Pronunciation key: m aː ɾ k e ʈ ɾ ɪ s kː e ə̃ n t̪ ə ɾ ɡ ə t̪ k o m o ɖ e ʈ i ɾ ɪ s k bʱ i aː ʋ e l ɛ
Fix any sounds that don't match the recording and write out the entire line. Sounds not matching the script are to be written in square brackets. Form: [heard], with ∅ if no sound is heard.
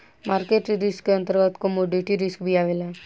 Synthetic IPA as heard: m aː ɾ k e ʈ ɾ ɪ s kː e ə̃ n t̪ ə ɾ ɡ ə t̪ k o m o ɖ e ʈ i ɾ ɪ s k bʱ i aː ʋ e l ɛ